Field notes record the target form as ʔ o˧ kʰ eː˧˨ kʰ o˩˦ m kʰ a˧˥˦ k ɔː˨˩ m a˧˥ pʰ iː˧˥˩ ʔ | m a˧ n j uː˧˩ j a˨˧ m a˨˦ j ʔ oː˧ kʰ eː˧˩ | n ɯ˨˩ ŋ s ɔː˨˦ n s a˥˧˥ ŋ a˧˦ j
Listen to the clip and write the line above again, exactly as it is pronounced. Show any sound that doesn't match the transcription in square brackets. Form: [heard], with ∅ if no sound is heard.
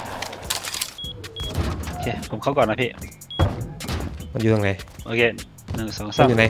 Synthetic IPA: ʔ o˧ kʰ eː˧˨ [pʰ] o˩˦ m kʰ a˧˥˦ k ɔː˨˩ [n] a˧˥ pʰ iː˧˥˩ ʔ | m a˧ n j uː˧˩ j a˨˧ [ŋ] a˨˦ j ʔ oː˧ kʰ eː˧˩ | n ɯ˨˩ ŋ s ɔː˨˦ [ŋ] s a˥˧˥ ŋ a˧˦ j